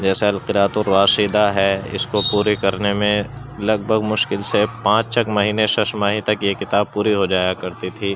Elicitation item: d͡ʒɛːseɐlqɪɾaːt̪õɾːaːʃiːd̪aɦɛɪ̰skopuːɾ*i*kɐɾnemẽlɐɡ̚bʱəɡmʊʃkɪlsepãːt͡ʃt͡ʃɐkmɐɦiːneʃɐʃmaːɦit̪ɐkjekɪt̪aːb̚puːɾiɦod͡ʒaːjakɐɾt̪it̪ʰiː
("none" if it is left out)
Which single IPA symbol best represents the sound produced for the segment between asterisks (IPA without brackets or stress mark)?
i